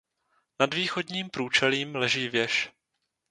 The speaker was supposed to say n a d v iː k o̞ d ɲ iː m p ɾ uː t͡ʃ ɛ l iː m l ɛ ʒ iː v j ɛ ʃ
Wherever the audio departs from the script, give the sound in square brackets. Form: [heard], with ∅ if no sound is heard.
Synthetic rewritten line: n a d v iː [x] o̞ d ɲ iː m p ɾ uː t͡ʃ ɛ l iː m l ɛ ʒ iː v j ɛ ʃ